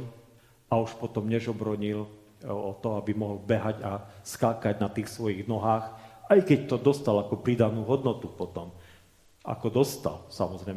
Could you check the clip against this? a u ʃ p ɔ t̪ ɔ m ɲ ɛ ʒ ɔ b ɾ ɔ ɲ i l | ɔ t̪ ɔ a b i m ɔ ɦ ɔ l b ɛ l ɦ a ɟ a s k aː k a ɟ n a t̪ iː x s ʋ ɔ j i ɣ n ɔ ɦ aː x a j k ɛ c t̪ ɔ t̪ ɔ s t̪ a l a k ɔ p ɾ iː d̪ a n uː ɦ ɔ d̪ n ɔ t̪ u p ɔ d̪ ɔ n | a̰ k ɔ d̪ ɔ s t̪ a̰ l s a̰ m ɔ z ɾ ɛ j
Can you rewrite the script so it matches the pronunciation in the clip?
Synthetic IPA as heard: a u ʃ p ɔ t̪ ɔ m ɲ ɛ ʒ ɔ b ɾ ɔ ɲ i l | ɔ t̪ ɔ a b i m ɔ ɦ ɔ l b ɛ ɦ a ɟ a s k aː k a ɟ n a t̪ iː x s ʋ ɔ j i ɣ n ɔ ɦ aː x a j k ɛ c t̪ ɔ d̪ ɔ s t̪ a l a k ɔ p ɾ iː d̪ a n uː ɦ ɔ d̪ n ɔ t̪ u p ɔ t̪ ɔ m | a̰ k ɔ d̪ ɔ s t̪ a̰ l s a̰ m ɔ z ɾ ɛ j